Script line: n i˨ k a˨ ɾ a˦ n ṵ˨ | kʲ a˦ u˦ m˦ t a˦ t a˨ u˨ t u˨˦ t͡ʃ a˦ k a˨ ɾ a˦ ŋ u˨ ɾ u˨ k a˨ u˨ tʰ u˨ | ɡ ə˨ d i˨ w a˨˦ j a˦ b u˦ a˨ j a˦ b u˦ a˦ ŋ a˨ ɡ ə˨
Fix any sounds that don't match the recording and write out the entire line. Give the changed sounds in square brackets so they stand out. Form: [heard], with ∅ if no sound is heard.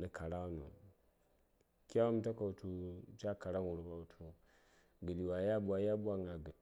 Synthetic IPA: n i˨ k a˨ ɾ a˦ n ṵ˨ | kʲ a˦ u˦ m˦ t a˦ [k] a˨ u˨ t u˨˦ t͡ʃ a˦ k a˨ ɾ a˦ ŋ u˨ ɾ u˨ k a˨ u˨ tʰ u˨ | ɡ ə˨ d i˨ w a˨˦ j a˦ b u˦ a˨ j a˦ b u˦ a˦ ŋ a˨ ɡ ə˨